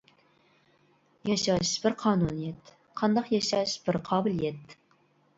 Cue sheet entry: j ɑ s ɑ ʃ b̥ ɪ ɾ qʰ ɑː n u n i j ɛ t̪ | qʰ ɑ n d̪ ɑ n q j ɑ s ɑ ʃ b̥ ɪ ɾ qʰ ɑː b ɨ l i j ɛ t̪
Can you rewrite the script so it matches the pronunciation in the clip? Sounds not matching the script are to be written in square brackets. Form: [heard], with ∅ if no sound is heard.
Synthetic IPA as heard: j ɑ [ʃ] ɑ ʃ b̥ ɪ ɾ qʰ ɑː n u n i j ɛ t̪ | qʰ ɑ n d̪ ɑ [∅] q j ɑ [ʃ] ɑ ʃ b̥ ɪ ɾ qʰ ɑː b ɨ l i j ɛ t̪